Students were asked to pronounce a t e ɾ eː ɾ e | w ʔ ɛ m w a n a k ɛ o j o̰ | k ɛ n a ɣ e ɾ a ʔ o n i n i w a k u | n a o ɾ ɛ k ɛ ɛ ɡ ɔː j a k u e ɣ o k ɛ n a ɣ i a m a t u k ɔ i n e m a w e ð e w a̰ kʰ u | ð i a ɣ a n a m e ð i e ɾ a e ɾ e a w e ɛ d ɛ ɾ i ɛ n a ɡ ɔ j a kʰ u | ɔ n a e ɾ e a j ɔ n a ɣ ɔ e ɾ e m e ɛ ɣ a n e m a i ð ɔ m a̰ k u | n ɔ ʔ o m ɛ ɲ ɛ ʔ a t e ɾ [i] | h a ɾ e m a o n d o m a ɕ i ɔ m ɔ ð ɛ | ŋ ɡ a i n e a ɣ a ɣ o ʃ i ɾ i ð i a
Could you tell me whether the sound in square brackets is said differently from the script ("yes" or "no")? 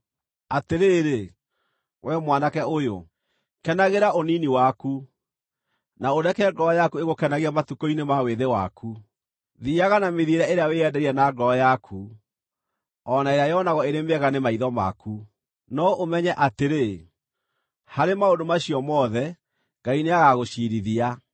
yes